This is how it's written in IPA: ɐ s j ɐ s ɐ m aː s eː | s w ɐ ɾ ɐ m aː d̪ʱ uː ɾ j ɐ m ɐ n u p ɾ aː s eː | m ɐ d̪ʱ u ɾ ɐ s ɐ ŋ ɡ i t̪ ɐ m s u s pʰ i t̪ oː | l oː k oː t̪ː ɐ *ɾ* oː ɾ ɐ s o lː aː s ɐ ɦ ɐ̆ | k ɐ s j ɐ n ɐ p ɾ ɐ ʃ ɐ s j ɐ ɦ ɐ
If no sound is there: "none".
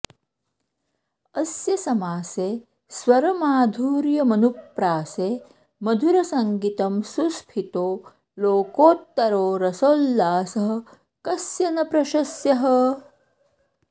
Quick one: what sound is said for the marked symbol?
ɾ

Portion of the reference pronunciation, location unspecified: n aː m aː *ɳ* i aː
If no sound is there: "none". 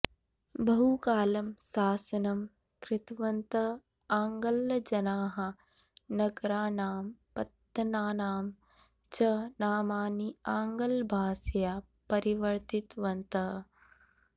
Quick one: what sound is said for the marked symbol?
n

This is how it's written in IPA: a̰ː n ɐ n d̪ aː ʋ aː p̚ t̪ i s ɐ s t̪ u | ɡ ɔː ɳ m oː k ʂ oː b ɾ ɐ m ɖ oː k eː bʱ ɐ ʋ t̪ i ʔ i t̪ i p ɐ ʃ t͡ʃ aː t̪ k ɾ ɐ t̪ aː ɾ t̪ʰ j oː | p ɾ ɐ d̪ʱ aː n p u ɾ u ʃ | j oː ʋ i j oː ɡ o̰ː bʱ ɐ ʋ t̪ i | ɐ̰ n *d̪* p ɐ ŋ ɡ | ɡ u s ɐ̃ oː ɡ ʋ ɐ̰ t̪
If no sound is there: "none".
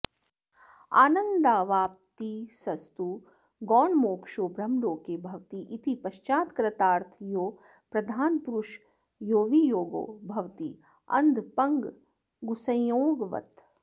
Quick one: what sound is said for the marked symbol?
d̪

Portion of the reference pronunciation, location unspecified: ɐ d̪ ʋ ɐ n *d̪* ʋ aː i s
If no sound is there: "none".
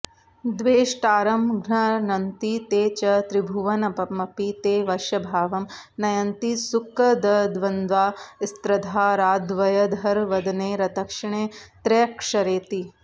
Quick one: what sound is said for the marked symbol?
d̪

